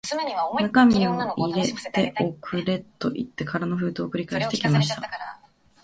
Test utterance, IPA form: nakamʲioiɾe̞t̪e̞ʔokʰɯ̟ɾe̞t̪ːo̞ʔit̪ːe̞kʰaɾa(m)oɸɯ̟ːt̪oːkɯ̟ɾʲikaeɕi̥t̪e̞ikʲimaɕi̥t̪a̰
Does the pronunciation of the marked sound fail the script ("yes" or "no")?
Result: yes